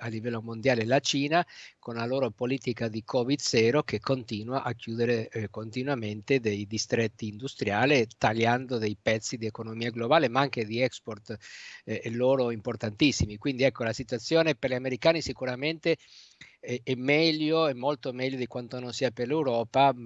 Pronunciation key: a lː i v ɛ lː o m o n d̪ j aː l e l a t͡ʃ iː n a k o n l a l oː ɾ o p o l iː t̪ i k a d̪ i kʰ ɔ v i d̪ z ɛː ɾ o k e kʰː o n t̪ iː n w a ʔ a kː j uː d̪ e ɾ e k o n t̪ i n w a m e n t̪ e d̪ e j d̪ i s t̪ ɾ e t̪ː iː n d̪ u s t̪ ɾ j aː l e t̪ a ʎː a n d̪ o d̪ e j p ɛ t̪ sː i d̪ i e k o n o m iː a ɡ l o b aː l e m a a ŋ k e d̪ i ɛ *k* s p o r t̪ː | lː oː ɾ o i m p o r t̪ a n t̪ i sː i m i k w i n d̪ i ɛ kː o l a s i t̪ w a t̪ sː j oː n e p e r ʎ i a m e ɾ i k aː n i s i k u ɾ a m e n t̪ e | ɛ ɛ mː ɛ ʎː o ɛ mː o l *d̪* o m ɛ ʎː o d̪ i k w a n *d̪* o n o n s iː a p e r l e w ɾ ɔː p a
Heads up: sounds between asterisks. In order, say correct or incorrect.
correct, incorrect, incorrect

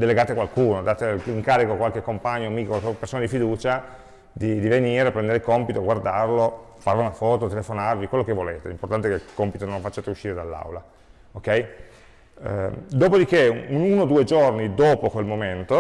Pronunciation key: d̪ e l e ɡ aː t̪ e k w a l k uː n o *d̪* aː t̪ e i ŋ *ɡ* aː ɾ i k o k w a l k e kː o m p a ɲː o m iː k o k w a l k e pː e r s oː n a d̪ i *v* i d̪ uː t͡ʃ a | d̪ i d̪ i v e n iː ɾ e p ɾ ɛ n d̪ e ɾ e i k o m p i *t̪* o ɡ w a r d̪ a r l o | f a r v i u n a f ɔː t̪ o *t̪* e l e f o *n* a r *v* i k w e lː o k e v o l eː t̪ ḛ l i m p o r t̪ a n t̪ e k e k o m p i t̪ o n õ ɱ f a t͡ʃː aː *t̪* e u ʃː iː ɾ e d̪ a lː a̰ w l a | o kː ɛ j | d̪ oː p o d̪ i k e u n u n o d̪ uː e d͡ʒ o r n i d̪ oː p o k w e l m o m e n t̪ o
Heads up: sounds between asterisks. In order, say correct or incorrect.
correct, incorrect, incorrect, correct, correct, correct, correct, correct

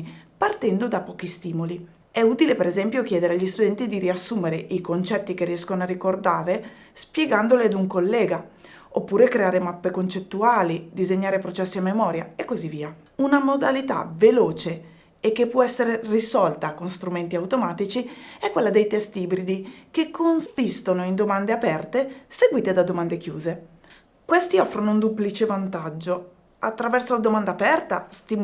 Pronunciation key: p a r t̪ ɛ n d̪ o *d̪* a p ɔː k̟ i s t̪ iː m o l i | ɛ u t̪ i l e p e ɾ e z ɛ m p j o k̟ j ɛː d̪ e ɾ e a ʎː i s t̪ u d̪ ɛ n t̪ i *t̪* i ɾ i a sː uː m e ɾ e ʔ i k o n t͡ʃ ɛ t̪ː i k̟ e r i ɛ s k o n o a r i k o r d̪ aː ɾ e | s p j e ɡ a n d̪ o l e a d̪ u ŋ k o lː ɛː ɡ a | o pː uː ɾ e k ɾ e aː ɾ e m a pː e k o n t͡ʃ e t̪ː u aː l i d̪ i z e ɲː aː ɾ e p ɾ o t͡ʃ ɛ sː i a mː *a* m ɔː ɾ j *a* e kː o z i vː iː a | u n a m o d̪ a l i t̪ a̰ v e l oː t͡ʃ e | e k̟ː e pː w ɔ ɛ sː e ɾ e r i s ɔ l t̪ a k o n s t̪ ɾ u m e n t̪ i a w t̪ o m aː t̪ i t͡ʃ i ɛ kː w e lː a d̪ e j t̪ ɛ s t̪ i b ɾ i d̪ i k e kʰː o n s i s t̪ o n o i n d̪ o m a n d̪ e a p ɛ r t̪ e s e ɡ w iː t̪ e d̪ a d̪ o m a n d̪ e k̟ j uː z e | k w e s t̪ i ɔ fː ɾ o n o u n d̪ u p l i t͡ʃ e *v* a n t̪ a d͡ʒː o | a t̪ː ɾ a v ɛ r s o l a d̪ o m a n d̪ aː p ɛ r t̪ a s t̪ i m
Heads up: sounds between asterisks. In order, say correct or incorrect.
correct, incorrect, incorrect, correct, correct

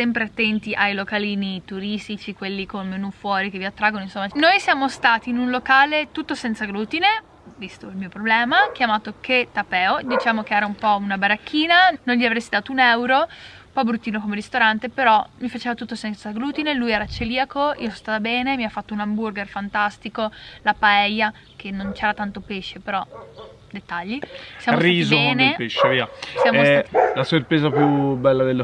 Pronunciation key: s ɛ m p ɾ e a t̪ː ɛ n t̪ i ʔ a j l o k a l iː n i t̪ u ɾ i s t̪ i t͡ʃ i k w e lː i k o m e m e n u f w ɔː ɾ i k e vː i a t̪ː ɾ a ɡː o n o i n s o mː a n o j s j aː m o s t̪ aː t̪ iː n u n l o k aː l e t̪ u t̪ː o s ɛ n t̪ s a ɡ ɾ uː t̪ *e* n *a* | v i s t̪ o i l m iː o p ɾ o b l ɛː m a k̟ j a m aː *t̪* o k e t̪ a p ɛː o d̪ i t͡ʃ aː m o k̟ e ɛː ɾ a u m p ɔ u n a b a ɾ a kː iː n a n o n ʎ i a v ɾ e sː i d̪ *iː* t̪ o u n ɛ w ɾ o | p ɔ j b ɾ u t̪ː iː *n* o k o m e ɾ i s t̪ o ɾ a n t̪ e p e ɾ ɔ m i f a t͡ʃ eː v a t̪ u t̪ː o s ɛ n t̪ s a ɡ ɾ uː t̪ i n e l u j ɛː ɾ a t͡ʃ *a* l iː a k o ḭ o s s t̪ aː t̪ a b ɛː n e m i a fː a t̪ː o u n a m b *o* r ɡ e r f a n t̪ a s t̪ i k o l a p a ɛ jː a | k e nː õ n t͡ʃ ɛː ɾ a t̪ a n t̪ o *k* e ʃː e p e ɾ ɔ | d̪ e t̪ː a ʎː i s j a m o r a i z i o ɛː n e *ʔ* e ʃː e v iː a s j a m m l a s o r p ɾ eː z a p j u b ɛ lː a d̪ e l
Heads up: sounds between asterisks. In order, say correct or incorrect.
incorrect, incorrect, correct, incorrect, correct, incorrect, incorrect, incorrect, incorrect

